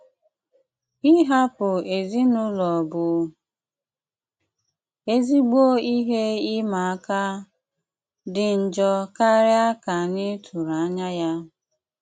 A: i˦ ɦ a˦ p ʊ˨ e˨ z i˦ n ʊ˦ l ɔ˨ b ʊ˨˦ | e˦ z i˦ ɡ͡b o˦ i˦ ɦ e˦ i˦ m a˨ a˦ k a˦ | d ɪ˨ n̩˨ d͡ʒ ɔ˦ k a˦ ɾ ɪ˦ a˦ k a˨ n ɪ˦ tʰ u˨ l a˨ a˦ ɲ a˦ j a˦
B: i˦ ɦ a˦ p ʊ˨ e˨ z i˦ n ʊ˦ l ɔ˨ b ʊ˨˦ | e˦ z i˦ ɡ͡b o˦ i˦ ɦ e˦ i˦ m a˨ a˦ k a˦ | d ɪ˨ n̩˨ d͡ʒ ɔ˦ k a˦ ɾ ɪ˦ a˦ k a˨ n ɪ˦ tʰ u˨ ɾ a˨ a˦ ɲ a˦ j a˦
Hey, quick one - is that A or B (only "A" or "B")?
B